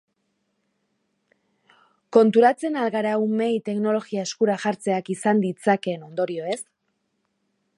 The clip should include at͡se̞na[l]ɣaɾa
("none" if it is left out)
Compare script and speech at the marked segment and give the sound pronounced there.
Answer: l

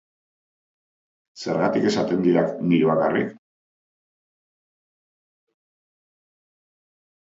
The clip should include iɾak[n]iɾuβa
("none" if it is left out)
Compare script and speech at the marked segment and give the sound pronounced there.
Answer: n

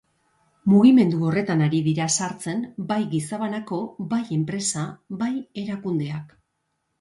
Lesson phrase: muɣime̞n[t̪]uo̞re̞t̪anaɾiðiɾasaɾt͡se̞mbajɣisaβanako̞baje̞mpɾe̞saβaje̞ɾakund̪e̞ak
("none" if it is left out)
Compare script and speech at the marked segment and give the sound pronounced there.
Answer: d̪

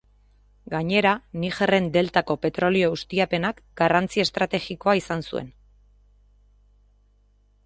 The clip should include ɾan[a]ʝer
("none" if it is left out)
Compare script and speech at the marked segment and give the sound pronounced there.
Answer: i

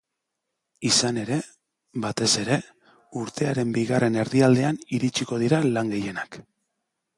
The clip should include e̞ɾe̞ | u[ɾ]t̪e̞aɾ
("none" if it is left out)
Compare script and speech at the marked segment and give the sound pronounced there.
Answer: ɾ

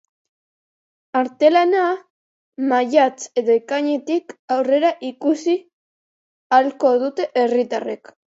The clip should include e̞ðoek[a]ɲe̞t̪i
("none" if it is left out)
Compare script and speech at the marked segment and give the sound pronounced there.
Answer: a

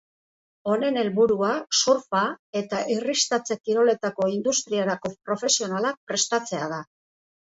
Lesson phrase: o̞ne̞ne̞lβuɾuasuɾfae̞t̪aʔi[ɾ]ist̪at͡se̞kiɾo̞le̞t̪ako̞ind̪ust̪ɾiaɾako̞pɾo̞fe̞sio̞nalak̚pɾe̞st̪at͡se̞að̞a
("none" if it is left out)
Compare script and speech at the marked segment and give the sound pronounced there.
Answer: r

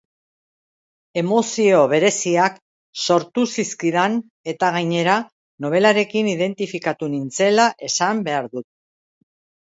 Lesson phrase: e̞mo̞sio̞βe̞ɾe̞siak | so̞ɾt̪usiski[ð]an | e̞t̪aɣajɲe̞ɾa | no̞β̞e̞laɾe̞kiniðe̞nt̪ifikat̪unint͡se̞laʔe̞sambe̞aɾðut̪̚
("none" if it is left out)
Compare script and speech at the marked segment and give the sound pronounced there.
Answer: ð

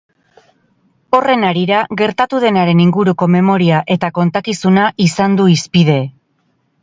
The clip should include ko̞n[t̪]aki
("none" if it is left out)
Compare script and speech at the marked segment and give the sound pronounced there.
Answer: t̪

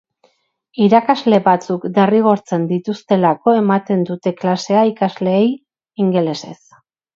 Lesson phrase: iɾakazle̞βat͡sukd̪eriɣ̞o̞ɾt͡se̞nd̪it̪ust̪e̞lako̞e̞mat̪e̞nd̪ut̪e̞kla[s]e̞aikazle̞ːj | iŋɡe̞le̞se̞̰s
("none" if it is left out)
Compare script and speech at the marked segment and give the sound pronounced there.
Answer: s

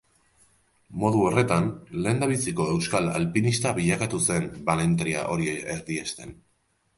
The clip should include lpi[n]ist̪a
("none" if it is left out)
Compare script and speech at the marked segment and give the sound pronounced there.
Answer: n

